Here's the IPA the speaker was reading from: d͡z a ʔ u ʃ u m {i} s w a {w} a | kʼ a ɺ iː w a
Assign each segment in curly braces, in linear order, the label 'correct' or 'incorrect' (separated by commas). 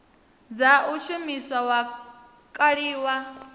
correct, correct